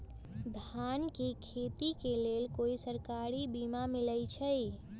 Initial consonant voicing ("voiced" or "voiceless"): voiced